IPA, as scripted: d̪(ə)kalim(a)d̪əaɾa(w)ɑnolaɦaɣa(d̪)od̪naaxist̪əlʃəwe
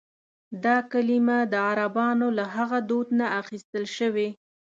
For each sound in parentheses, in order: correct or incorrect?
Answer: incorrect, correct, incorrect, correct

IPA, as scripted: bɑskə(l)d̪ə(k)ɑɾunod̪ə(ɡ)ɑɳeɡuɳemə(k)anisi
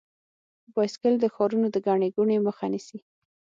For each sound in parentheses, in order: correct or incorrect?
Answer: correct, incorrect, correct, incorrect

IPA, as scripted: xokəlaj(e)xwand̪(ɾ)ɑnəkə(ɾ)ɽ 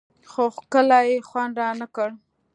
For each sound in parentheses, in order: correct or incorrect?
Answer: correct, correct, incorrect

